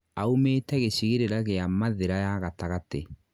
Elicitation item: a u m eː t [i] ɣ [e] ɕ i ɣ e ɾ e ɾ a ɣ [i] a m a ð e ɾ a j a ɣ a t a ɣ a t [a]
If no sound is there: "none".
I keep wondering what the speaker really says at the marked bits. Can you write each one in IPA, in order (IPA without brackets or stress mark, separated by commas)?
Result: ɛ, e, e, e